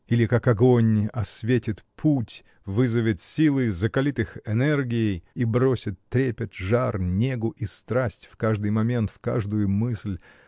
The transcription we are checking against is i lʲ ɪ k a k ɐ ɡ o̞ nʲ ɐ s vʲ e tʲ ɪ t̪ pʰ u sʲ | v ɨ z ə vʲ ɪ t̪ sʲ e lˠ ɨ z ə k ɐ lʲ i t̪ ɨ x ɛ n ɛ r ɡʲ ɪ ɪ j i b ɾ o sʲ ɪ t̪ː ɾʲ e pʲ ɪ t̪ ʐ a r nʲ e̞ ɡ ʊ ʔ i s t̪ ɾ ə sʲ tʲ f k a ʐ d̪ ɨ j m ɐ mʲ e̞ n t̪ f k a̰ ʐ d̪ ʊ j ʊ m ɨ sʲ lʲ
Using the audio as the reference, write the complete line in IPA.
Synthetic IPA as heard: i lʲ ɪ k a k ɐ ɡ o̞ nʲ ɐ s vʲ e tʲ ɪ t̪ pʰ u tʲ | v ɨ z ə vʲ ɪ t̪ sʲ i lˠ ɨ z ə k ɐ lʲ i t̪ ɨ x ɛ n ɛ r ɡʲ ɪ ɪ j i b ɾ o sʲ ɪ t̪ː ɾʲ e pʲ ɪ t̪ ʐ a r nʲ e̞ ɡ ʊ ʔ i s t̪ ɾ a sʲ tʲ f k a ʐ d̪ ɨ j m ɐ mʲ e̞ n t̪ f k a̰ ʐ d̪ ʊ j ʊ m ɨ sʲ lʲ

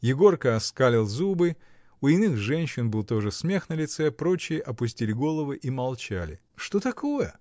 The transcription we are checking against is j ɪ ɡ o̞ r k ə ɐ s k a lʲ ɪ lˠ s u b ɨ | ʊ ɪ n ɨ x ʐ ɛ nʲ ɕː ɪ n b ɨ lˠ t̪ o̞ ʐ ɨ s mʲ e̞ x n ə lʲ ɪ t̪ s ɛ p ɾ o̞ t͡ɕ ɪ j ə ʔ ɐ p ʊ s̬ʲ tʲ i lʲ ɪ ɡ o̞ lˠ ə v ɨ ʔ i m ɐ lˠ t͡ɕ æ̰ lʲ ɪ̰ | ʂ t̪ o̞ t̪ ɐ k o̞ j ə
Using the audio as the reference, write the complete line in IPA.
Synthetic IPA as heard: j ɪ ɡ o̞ r k ə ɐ s k a lʲ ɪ lˠ z u b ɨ | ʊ ɪ n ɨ x ʐ ɛ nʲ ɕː ɪ n b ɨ lˠ t̪ o̞ ʐ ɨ s mʲ e̞ x n ə lʲ ɪ t̪ s ɛ p ɾ o̞ t͡ɕ ɪ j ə ʔ ɐ p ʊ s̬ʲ tʲ i lʲ ɪ ɡ o̞ lˠ ə v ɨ ʔ i m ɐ lˠ t͡ɕ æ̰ lʲ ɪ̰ | ʂ t̪ o̞ t̪ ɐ k o̞ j ə

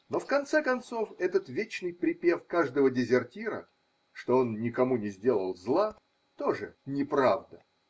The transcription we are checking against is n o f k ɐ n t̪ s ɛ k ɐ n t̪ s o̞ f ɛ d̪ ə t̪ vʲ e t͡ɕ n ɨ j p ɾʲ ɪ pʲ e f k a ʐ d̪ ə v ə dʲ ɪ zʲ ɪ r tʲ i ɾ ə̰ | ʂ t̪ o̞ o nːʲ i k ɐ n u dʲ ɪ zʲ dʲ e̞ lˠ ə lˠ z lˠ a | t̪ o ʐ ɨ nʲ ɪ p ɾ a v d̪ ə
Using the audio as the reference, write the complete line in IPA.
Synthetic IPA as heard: n o f k ɐ n t̪ s ɛ k ɐ n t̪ s o̞ f ɛ t̪ ə t̪ vʲ e t͡ɕ n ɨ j p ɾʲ ɪ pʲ e f k a ʐ d̪ ə v ə dʲ ɪ zʲ ɪ r tʲ i ɾ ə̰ | ʂ t̪ o̞ o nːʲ ɪ k ɐ m u nʲ ɪ zʲ dʲ e̞ lˠ ə lˠ z lˠ a | t̪ o ʐ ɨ nʲ ɪ p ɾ a v d̪ ə

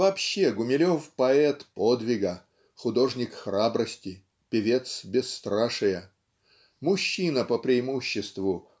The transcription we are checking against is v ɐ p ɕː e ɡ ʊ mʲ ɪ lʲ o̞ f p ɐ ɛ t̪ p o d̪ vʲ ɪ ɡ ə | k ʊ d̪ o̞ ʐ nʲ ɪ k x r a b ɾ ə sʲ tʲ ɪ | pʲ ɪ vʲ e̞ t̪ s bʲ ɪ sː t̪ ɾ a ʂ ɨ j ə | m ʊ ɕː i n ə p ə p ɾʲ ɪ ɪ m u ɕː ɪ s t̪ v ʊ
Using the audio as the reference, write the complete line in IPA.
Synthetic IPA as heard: v ɐ p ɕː e ɡ ʊ mʲ ɪ lʲ o̞ f p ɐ ɛ t̪ p o d̪ vʲ ɪ ɡ ə | x ʊ d̪ o̞ ʐ nʲ ɪ k x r a b ɾ ə sʲ tʲ ɪ | pʲ ɪ vʲ e̞ t̪ s bʲ ɪ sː t̪ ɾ a ʂ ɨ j ə | m ʊ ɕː i n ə p ə p ɾʲ ɪ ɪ m u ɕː ɪ s t̪ v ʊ

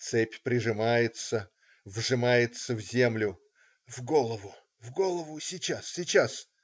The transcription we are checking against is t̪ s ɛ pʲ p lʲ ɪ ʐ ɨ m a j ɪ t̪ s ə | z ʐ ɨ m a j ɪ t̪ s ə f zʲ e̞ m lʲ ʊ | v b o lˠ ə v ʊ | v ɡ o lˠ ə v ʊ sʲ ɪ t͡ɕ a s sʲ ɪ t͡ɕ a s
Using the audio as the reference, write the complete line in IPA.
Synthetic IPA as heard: t̪ s ɛ pʲ p ɾʲ ɪ ʐ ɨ m a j ɪ t̪ s ə | v ʐ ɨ m a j ɪ t̪ s ə v zʲ e̞ m lʲ ʊ | v ɡ o lˠ ə v ʊ | v ɡ o lˠ ə v ʊ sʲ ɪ t͡ɕ a s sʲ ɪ t͡ɕ a s

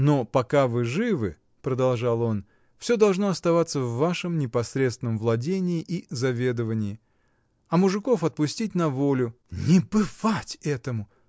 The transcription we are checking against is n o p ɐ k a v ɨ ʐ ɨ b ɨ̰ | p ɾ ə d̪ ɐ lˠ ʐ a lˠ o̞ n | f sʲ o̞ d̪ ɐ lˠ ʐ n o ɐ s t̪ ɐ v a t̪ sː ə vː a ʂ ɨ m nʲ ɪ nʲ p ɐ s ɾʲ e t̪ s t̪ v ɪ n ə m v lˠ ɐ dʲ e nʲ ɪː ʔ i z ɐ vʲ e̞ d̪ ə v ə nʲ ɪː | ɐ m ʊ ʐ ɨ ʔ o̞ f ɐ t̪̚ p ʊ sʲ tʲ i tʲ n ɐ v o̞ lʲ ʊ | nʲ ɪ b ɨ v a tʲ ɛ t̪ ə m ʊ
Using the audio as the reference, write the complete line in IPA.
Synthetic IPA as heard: n o p ɐ k a v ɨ ʐ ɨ v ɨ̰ | p ɾ ə d̪ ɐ lˠ ʐ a lˠ o̞ n | f sʲ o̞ d̪ ɐ lˠ ʐ n o ɐ s t̪ ɐ v a t̪ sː ə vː a ʂ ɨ m nʲ ɪ p ɐ s ɾʲ e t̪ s t̪ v ɪ n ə m v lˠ ɐ dʲ e nʲ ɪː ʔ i z ɐ vʲ e̞ d̪ ə v ə nʲ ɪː | ɐ m ʊ ʐ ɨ k o̞ f ɐ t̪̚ p ʊ sʲ tʲ i tʲ n ɐ v o̞ lʲ ʊ | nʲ ɪ b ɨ v a tʲ ɛ t̪ ə m ʊ

